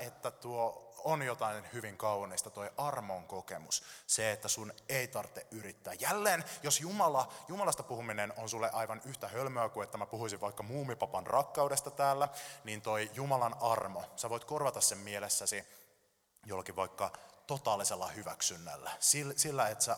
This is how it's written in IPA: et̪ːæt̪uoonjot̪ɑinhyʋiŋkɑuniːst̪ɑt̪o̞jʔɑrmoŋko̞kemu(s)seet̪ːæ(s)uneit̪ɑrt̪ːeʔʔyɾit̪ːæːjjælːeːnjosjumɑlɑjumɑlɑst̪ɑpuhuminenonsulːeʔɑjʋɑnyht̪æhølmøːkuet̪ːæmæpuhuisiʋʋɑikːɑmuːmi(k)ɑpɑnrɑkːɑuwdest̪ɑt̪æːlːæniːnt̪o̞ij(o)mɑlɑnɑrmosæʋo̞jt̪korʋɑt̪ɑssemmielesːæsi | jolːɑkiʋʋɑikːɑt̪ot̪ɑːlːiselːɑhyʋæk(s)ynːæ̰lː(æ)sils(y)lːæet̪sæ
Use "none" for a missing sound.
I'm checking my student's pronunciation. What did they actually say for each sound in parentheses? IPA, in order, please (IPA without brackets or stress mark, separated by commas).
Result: s, s, p, u, s, æ, i